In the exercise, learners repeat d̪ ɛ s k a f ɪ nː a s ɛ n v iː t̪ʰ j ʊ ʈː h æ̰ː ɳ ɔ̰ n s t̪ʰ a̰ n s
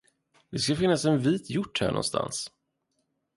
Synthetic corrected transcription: d̪ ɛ s k a f ɪ nː a s ɛ n v iː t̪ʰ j ʊ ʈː h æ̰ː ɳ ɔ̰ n s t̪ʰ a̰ n s